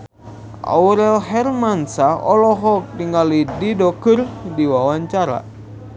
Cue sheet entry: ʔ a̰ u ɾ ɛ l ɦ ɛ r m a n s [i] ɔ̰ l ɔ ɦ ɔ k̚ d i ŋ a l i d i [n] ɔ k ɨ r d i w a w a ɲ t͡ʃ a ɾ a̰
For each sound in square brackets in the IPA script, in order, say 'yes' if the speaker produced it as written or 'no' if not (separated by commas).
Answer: no, no